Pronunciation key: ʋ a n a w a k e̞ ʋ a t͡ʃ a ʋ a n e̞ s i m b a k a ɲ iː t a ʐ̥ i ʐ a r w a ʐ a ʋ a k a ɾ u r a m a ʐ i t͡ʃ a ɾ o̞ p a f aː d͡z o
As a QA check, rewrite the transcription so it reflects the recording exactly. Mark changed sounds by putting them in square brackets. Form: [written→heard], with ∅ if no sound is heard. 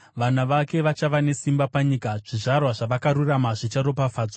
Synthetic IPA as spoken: ʋ a n a [w→ʋ] a k e̞ ʋ a t͡ʃ a ʋ a n e̞ s i m b a [k→p] a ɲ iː [t→k] a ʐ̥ i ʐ a r w a ʐ a ʋ a k a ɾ u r a m a ʐ i t͡ʃ a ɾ o̞ p a f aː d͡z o